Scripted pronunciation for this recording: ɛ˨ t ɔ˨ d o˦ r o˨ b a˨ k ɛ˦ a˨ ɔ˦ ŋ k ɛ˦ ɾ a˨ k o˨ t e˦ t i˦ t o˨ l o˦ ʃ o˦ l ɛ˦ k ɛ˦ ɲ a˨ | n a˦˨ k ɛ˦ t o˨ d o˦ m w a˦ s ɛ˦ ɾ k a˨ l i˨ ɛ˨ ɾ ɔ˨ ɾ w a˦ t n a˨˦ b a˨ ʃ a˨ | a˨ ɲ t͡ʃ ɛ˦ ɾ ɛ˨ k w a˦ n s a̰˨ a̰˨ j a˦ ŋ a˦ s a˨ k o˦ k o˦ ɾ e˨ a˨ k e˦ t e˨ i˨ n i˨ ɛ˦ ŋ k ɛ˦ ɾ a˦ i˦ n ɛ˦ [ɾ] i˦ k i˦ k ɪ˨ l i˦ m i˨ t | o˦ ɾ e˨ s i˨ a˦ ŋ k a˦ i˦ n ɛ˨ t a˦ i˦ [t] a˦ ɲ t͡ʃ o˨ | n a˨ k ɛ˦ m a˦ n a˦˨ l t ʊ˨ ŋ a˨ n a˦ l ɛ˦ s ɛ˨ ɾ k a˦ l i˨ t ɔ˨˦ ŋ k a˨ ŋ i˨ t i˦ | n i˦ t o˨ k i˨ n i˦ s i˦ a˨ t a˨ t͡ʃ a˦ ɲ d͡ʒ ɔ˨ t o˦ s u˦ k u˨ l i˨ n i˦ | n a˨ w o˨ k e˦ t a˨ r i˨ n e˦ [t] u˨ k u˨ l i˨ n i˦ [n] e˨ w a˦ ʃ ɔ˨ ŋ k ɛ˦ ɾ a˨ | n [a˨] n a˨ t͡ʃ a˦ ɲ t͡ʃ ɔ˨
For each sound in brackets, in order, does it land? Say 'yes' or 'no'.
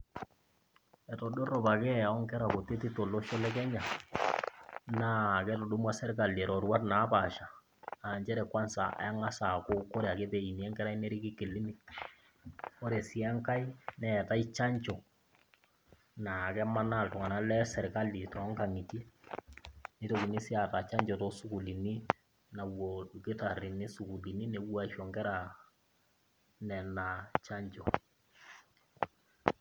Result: yes, no, no, yes, no

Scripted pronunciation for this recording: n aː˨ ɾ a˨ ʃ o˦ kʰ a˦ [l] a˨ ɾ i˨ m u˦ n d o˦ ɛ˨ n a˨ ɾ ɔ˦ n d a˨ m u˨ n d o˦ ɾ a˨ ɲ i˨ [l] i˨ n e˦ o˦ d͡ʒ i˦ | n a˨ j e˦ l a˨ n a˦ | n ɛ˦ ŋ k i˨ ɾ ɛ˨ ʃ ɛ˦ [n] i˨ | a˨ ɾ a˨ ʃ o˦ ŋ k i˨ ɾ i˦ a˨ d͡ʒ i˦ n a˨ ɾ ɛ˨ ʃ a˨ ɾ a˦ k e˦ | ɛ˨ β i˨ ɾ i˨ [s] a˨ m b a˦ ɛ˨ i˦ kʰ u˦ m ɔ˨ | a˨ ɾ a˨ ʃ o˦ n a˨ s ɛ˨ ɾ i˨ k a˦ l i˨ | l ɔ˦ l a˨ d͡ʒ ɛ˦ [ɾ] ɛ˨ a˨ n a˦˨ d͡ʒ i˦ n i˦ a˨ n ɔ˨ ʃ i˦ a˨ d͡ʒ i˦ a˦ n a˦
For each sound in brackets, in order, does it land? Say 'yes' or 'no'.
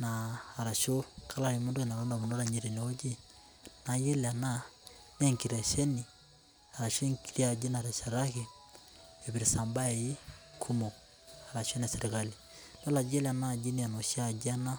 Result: yes, no, yes, yes, no

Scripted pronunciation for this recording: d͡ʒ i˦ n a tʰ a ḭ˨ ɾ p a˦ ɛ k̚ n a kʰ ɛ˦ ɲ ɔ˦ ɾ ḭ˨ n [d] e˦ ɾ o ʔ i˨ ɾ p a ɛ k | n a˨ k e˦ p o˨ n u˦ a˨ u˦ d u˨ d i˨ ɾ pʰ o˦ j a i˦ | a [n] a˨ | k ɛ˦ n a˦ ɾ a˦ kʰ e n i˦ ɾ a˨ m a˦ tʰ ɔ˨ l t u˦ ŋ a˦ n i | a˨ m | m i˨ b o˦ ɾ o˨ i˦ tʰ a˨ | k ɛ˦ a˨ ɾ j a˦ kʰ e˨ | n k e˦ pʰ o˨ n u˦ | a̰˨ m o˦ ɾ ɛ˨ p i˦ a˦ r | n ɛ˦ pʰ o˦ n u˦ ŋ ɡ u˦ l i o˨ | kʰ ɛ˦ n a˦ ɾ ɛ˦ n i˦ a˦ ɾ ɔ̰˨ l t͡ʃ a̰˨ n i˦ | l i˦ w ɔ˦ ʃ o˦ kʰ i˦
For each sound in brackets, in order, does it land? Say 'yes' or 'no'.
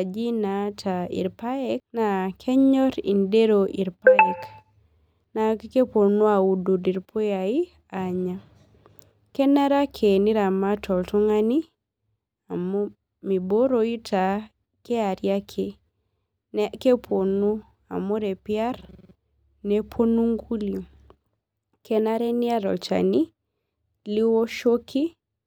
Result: yes, no

